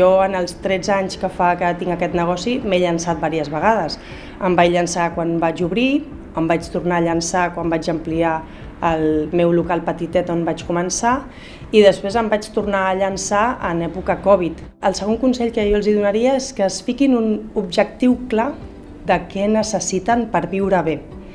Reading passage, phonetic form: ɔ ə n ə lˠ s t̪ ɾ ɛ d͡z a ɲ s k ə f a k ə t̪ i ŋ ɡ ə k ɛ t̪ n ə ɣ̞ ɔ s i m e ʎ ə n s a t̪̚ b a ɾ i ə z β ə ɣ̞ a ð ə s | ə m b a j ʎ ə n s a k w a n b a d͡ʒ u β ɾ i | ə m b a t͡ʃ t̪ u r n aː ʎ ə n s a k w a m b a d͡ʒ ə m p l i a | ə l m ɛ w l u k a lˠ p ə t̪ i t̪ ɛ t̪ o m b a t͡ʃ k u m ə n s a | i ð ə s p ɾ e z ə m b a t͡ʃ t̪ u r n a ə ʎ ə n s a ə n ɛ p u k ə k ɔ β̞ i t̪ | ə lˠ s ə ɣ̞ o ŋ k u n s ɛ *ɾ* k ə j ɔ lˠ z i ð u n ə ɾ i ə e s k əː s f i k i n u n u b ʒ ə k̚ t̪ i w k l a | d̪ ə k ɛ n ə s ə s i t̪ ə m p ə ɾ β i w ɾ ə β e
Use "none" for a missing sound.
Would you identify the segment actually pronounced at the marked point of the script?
ʎ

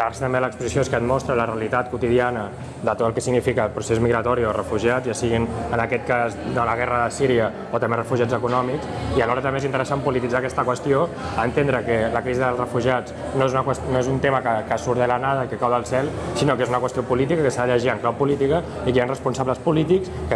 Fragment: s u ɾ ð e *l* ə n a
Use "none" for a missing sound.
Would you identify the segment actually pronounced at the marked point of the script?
l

